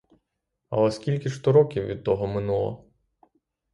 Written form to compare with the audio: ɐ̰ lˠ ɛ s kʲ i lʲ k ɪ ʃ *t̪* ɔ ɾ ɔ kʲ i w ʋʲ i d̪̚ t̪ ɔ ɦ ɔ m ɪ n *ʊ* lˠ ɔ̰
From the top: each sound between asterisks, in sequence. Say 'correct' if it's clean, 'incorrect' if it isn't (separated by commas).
correct, incorrect